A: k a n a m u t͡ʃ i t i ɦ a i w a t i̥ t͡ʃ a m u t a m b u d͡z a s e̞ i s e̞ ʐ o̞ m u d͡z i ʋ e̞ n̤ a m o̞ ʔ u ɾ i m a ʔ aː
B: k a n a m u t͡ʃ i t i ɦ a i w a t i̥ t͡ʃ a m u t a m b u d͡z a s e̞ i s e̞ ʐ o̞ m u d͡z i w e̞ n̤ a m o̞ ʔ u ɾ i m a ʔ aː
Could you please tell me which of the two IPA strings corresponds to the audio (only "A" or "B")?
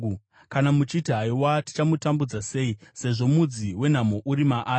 B